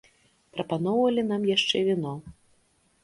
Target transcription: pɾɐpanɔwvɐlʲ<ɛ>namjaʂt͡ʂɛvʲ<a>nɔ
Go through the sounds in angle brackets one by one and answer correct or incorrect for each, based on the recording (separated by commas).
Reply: incorrect, incorrect